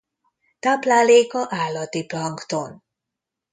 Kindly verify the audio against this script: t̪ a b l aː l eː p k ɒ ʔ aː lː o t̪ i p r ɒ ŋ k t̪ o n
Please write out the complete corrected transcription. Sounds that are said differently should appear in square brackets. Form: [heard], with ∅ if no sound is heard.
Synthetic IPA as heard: t̪ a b l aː l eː [∅] k ɒ ʔ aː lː [ɒ] t̪ i p [l] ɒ ŋ k t̪ o n